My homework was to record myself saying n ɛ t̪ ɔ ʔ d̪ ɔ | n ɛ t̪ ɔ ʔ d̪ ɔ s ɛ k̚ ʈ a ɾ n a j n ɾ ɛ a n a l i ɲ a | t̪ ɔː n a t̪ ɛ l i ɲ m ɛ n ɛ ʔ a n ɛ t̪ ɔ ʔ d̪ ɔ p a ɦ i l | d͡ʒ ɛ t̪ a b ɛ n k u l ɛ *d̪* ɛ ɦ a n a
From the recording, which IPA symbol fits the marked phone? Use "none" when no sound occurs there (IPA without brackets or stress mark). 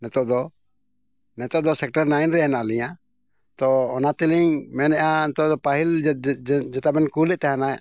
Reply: t̪